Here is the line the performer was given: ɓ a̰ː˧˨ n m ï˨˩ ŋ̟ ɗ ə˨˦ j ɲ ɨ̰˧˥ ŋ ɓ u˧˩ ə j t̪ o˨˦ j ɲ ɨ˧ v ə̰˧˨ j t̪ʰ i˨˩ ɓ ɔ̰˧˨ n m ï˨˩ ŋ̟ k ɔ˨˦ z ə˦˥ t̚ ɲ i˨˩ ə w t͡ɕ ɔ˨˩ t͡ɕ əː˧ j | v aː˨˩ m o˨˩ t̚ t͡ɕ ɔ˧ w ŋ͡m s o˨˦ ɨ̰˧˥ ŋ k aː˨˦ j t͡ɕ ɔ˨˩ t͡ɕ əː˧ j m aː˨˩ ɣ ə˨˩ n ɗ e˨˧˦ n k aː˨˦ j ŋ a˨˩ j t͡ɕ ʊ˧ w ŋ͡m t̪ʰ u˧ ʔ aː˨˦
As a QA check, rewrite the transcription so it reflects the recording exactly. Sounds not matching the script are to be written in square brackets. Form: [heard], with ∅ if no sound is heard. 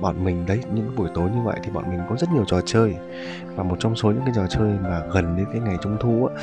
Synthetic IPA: ɓ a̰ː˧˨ n m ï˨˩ ŋ̟ ɗ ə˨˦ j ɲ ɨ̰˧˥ ŋ ɓ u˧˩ ə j t̪ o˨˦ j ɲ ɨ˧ v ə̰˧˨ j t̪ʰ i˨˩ ɓ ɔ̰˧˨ n m ï˨˩ ŋ̟ k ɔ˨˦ z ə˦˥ t̚ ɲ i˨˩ ə w t͡ɕ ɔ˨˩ t͡ɕ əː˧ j | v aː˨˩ m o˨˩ t̚ t͡ɕ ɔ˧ w ŋ͡m s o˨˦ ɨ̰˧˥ ŋ k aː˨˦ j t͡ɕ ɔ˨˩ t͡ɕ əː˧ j m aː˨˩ ɣ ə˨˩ n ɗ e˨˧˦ n k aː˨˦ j ŋ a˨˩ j t͡ɕ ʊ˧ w ŋ͡m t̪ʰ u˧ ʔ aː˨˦